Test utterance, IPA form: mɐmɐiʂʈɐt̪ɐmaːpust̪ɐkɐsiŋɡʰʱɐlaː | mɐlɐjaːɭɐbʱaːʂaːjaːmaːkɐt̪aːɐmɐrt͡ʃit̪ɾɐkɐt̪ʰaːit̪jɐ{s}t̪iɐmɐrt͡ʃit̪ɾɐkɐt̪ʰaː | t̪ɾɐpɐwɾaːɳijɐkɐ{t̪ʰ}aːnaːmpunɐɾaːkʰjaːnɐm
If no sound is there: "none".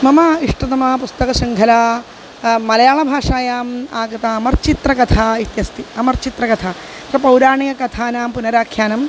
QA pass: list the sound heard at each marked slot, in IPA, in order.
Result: s, t̪ʰ

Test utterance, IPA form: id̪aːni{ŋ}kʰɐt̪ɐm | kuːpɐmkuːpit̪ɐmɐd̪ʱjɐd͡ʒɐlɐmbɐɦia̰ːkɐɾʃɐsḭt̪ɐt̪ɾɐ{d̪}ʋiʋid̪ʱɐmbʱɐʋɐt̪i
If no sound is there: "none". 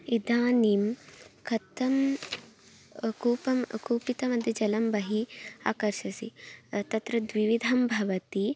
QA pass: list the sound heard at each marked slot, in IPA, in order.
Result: m, d̪

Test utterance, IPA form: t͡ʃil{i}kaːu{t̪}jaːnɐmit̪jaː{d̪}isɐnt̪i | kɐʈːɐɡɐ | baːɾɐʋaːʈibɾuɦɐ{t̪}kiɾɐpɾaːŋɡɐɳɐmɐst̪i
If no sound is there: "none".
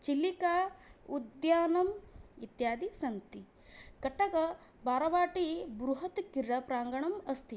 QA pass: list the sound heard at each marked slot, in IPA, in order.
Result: i, d̪, d̪, t̪

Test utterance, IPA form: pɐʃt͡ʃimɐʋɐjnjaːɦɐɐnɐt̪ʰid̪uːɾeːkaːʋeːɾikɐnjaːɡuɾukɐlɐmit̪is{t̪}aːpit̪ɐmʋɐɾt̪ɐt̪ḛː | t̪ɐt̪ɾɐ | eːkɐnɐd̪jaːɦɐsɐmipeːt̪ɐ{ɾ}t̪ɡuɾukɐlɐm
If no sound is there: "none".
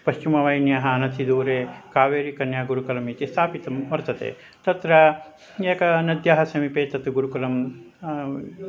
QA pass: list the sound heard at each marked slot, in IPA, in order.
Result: t̪ʰ, none

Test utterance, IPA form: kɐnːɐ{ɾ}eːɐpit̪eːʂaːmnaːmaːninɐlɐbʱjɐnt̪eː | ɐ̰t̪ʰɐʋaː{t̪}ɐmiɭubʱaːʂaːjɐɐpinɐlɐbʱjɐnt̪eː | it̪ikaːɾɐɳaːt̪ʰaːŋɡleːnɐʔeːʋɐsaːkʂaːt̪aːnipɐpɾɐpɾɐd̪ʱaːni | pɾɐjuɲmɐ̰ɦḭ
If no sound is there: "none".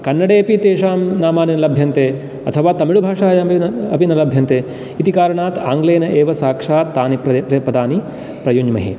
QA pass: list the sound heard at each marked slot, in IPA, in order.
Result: ɽ, t̪

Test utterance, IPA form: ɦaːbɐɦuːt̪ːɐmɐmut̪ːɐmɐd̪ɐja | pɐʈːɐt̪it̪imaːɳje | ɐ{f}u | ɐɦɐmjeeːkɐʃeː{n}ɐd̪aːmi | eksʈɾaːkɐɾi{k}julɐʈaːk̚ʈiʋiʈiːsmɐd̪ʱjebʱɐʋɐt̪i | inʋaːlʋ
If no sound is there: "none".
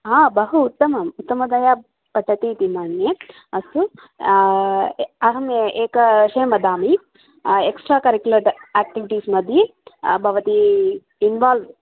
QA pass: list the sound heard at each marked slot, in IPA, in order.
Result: s, m, k

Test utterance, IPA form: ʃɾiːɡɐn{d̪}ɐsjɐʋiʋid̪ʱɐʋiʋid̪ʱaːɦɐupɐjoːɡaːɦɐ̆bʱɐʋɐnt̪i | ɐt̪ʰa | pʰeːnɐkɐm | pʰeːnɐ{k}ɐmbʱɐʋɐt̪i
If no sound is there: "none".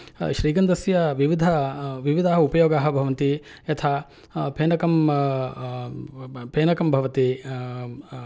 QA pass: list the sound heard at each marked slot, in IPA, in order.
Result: d̪, k

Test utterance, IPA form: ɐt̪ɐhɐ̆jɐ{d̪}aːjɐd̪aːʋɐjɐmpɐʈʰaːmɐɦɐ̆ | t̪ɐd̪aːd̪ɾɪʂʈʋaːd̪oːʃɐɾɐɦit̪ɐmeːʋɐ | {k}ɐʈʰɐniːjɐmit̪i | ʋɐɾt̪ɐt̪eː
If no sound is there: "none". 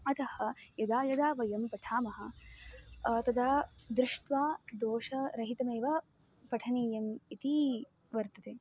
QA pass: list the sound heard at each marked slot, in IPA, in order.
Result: d̪, p

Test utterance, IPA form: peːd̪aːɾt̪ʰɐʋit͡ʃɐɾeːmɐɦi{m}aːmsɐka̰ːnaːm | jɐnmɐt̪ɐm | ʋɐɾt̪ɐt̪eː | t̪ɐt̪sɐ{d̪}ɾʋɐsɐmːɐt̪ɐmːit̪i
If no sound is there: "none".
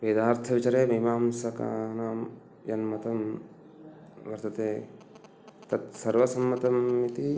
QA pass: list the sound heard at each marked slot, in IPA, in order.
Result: m, none

